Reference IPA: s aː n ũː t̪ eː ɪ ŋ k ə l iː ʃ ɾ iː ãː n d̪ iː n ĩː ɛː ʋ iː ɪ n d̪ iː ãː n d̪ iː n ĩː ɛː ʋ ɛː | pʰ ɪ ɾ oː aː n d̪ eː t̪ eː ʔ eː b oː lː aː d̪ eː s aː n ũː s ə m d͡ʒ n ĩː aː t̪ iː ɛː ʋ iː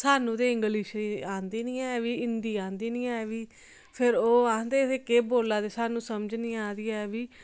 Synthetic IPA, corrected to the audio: s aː n ũː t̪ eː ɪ ŋ ɡ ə l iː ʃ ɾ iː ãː n d̪ iː n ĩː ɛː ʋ iː ɪ n d̪ iː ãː n d̪ iː n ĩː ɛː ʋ iː | pʰ ɪ ɾ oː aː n d̪ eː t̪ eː k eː b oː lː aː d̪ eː s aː n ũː s ə m d͡ʒ n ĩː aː d̪ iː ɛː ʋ iː